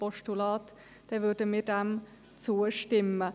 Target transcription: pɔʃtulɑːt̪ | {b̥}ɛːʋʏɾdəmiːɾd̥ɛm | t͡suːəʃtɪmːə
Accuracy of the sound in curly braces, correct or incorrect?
incorrect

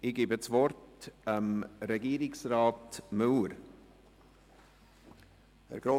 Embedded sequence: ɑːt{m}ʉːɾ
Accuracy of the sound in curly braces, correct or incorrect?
correct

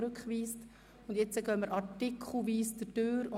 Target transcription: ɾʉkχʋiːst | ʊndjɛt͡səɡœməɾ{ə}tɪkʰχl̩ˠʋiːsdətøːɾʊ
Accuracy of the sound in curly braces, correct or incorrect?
incorrect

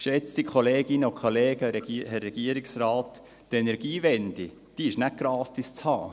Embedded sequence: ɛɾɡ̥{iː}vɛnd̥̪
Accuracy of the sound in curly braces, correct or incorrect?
correct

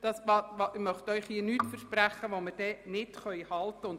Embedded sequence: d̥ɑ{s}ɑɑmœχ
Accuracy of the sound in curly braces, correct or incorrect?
correct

